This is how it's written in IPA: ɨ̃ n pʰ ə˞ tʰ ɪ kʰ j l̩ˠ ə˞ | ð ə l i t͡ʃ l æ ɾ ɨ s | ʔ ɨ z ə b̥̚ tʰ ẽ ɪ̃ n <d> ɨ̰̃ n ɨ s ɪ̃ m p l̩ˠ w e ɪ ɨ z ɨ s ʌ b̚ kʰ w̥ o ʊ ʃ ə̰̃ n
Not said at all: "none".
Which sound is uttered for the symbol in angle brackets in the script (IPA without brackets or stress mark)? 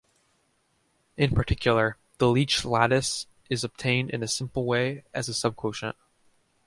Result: d